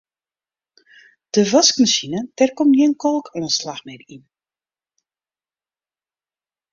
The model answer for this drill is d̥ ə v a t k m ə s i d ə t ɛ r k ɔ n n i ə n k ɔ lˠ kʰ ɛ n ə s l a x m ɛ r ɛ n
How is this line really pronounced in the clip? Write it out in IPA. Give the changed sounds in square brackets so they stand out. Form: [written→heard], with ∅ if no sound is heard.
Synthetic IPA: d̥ ə v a [t→s] k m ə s i [d→n] ə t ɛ r k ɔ [n→m] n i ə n k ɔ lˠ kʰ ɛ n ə s l a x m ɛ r [ɛ→i] n